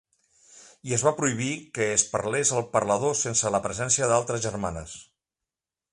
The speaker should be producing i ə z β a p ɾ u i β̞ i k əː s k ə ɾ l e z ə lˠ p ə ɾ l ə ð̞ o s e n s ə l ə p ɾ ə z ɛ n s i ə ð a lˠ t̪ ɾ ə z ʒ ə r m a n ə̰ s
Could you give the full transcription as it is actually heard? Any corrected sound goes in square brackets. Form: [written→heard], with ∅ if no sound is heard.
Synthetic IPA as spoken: i ə z β a p ɾ u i β̞ i k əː s [k→p] ə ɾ l e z ə lˠ p ə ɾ l ə ð̞ o s e n s ə l ə p ɾ ə z ɛ n s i ə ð a lˠ t̪ ɾ ə z ʒ ə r m a n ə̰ s